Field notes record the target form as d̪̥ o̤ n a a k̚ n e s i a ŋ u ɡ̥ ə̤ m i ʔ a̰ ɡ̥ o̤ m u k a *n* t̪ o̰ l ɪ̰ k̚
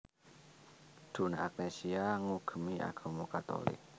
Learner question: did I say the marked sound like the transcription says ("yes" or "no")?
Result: no